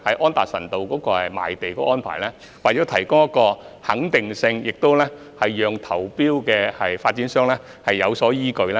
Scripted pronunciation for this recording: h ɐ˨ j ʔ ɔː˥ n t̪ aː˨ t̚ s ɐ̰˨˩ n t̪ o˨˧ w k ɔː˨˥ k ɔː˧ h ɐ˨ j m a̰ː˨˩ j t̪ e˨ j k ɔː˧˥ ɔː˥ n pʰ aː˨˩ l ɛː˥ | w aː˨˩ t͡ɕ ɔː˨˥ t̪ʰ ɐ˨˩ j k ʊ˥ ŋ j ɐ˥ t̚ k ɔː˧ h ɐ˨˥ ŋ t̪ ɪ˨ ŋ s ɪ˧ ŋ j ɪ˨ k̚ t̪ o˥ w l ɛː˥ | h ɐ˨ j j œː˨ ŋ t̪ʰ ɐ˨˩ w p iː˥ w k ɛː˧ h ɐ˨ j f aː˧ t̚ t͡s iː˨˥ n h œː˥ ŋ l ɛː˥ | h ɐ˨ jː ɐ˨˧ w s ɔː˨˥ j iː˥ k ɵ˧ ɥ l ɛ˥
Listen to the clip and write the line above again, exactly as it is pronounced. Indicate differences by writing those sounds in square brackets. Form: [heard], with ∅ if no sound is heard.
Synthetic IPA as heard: h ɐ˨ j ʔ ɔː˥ n t̪ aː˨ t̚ s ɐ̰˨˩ n t̪ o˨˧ w k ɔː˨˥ k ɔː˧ h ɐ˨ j m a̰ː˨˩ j t̪ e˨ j k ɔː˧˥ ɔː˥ n pʰ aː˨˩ l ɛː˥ | w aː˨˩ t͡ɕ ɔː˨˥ t̪ʰ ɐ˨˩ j k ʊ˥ ŋ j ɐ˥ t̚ k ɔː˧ h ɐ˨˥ ŋ t̪ ɪ˨ ŋ s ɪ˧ ŋ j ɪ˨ k̚ t̪ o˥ w l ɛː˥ | h ɐ˨ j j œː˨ ŋ t̪ʰ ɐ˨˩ w p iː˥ w k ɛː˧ h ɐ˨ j f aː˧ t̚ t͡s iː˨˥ n [s] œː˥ ŋ l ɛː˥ | h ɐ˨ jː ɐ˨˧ w s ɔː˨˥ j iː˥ k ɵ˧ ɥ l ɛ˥